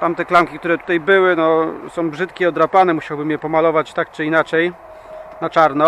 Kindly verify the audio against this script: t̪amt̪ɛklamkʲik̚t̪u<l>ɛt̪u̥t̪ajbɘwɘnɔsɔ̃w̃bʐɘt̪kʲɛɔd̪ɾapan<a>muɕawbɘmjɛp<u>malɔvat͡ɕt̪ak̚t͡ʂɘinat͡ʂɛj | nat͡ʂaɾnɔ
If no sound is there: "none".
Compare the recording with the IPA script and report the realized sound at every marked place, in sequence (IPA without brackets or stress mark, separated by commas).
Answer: ɾ, ɛ, ɔ